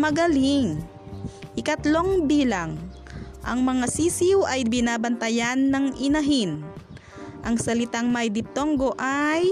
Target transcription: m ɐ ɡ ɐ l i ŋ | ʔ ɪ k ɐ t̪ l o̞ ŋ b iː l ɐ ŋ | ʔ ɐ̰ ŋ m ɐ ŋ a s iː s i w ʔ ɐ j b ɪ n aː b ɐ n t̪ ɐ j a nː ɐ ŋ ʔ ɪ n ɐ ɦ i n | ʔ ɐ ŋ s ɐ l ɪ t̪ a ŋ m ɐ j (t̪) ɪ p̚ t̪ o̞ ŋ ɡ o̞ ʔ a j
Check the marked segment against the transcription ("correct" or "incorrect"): incorrect